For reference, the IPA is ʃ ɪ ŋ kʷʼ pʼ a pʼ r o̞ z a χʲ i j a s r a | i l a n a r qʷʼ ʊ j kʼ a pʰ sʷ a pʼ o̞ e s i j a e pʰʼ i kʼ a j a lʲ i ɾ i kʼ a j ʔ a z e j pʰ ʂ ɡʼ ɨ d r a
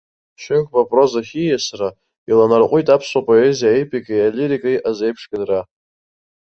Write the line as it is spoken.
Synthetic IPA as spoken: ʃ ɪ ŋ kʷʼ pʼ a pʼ r o̞ z a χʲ i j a s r a | i l a n a r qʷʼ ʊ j tʼ a pʰ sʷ a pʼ o̞ e z i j a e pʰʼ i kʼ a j a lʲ i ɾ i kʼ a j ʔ a z e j pʰ ʂ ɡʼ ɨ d r a